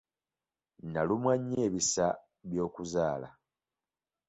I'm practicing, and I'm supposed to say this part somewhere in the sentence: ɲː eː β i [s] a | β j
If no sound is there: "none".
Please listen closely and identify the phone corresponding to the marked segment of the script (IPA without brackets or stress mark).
s